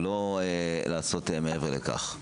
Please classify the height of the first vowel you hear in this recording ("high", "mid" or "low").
mid